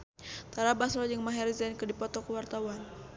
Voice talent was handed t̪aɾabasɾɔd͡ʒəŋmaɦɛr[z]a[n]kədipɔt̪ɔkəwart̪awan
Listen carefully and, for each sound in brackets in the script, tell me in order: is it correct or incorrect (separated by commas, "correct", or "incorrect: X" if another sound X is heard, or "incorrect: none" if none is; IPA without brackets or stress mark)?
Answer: correct, correct